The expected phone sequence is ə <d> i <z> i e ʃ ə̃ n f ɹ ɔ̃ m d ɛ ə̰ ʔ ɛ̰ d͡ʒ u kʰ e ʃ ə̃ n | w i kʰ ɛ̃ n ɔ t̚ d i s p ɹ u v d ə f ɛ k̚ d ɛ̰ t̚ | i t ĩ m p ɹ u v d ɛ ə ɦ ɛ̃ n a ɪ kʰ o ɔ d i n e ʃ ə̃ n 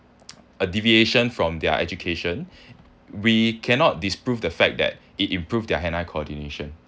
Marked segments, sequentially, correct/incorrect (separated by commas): correct, incorrect